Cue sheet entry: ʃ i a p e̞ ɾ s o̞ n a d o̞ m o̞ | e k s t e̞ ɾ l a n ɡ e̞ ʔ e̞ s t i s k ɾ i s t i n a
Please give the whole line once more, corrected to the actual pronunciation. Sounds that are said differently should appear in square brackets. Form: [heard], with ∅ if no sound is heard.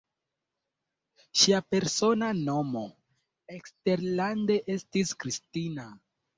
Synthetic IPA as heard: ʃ i a p e̞ ɾ s o̞ n a [n] o̞ m o̞ | e k s t e̞ ɾ l a n [d] e̞ ʔ e̞ s t i s k ɾ i s t i n a